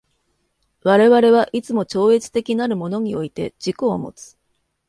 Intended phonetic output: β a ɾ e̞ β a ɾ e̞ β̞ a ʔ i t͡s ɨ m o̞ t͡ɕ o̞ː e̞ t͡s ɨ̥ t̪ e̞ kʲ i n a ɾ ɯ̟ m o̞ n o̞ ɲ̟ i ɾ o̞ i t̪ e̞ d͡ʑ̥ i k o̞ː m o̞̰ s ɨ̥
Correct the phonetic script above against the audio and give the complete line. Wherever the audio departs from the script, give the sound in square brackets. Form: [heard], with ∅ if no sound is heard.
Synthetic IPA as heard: β a ɾ e̞ β a ɾ e̞ β̞ a ʔ i t͡s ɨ m o̞ t͡ɕ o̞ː e̞ t͡s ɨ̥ t̪ e̞ kʲ i n a ɾ ɯ̟ m o̞ n o̞ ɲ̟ i [∅] o̞ i t̪ e̞ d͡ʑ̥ i k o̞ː m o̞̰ [t͡s] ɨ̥